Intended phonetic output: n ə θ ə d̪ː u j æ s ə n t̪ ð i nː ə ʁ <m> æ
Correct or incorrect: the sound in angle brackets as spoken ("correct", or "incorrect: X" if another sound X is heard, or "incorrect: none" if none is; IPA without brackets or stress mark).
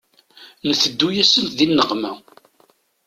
correct